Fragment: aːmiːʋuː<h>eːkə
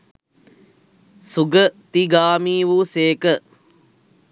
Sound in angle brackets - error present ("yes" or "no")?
yes